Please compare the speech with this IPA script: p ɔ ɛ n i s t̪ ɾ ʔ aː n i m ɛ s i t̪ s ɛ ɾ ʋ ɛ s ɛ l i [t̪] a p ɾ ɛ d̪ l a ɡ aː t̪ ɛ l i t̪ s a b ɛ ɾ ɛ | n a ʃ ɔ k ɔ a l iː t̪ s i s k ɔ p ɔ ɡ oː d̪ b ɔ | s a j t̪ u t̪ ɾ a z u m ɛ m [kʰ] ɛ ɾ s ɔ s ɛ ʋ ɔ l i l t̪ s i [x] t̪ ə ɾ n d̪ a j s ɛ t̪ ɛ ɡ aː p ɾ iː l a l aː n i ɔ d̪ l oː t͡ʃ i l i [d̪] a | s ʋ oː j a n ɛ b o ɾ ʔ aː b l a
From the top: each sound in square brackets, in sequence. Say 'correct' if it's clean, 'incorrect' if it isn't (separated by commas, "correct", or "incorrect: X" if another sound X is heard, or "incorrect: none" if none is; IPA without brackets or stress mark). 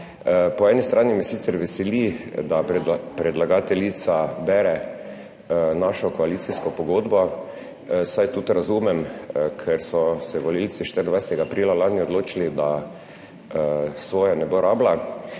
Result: incorrect: d̪, correct, incorrect: ʃ, correct